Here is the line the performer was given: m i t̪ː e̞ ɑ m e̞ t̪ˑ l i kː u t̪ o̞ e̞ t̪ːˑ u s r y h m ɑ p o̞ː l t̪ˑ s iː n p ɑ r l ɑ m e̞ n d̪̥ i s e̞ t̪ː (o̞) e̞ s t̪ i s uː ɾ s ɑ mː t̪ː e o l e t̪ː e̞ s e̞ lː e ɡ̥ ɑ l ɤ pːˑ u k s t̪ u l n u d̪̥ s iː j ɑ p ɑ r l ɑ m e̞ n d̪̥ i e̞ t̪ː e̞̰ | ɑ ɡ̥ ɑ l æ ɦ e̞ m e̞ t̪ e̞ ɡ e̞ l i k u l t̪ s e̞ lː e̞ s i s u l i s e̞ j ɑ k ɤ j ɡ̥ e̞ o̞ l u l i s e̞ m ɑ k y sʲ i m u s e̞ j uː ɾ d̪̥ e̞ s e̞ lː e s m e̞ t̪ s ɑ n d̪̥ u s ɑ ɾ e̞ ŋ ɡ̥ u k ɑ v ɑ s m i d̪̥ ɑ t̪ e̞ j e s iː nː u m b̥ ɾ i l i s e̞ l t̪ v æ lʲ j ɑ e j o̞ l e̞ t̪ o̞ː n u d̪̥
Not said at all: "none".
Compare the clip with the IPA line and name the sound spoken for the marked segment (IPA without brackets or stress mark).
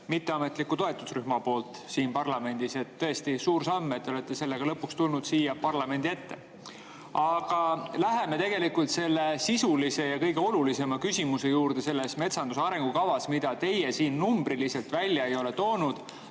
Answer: ɤ̞